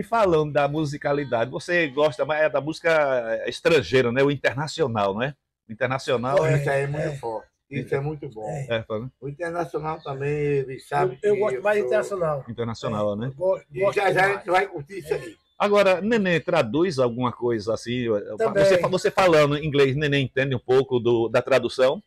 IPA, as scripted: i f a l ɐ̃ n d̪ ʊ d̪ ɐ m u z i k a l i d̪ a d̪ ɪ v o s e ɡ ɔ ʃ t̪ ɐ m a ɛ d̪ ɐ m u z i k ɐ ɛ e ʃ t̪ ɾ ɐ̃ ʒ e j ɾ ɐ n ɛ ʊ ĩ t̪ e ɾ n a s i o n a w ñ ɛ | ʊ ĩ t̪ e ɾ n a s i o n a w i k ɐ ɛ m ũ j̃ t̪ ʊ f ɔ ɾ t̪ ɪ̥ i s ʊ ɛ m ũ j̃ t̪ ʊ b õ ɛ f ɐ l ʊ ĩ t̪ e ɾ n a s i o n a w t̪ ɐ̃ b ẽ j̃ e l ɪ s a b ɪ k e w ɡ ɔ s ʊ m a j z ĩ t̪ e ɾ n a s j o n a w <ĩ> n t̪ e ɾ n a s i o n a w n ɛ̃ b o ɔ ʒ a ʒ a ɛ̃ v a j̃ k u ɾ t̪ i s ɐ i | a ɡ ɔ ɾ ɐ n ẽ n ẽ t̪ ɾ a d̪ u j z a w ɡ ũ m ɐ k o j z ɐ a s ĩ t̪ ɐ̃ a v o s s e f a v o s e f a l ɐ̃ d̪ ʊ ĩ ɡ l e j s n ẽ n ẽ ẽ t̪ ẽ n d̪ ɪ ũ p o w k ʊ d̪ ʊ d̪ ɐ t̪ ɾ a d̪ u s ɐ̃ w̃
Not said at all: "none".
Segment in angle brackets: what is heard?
ĩ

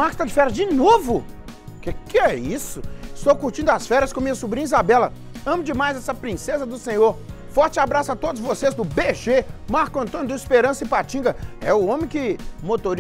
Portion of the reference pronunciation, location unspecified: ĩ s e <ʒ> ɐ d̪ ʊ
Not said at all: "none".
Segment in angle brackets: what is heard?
z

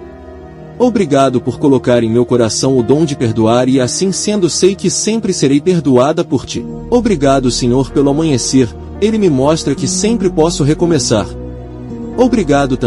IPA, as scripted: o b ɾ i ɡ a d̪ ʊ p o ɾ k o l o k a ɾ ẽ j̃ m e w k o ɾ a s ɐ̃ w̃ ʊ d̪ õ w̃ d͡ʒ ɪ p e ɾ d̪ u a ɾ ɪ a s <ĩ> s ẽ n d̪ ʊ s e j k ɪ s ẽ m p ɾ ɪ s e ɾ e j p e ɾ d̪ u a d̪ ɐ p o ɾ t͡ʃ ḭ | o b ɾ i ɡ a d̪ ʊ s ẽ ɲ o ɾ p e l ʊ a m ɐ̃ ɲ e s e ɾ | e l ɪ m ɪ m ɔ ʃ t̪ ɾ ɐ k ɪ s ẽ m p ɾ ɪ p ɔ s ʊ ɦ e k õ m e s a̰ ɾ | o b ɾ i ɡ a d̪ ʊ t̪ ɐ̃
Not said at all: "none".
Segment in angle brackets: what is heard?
ĩ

